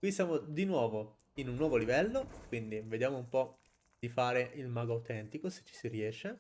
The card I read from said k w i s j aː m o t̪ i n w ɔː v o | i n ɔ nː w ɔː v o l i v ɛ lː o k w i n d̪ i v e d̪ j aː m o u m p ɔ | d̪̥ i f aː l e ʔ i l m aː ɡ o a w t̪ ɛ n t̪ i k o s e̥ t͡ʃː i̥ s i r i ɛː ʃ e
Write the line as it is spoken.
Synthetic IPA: k w i s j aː m o d̪ i n w ɔː v o | i n u nː w ɔː v o l i v ɛ lː o k w i n d̪ i v e d̪ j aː m o u m p ɔ | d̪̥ i f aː ɾ e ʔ i l m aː ɡ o a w t̪ ɛ n t̪ i k o s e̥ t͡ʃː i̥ s i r i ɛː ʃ e